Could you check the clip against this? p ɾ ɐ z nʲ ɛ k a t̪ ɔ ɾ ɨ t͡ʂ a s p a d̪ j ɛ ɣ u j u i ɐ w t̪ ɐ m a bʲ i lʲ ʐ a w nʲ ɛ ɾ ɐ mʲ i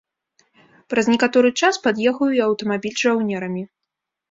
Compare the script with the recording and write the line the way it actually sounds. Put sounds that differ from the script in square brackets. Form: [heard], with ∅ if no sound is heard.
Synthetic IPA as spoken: p ɾ ɐ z nʲ ɛ k a t̪ ɔ ɾ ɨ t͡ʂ a s p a d̪ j ɛ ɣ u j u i ɐ w t̪ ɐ m a bʲ i lʲ ʐ a w nʲ ɛ ɾ ɐ mʲ i